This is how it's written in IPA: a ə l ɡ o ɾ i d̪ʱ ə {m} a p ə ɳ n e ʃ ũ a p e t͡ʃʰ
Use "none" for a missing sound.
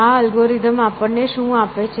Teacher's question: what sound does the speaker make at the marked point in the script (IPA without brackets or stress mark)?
m